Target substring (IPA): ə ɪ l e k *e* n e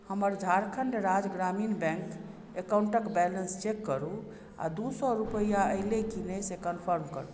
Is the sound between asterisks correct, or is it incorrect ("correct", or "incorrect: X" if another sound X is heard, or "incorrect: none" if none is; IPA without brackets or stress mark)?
incorrect: i